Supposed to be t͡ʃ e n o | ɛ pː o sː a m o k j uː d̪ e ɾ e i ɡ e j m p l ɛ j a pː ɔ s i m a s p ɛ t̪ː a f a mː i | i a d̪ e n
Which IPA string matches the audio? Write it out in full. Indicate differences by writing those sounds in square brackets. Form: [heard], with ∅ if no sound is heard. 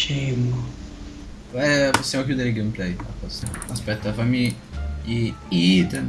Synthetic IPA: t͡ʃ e [m] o | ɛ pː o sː a m o k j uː d̪ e ɾ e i ɡ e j m p l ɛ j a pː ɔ s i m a s p ɛ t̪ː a f a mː i | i [i] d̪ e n

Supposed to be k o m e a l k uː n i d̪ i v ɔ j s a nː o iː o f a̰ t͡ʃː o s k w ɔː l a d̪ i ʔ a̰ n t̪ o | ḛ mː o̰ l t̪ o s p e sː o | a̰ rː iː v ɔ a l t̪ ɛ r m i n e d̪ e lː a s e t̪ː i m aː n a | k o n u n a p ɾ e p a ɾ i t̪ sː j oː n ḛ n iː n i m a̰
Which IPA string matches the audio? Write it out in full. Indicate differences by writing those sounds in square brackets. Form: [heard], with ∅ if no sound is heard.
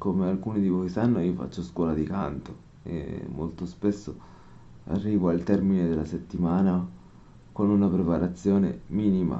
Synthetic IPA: k o m e a l k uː n i d̪ i v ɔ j s a nː o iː o f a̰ t͡ʃː o s k w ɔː l a d̪ i [k] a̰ n t̪ o | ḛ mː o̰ l t̪ o s p e sː o | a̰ rː iː v [o] a l t̪ ɛ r m i n e d̪ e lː a s e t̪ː i m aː n a | k o n u n a p ɾ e p a ɾ [a] t̪ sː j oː n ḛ [m] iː n i m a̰

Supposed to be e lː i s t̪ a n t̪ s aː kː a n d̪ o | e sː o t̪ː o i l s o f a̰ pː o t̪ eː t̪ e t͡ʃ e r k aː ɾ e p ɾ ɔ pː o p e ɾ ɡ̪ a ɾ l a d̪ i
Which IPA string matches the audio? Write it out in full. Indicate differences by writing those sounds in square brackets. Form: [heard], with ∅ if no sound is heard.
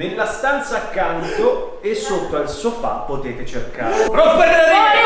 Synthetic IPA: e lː [a] s t̪ a n t̪ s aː kː a n [t̪] o | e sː o t̪ː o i l s o f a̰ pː o t̪ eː t̪ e t͡ʃ e r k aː ɾ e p ɾ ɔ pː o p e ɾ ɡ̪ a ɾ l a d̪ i

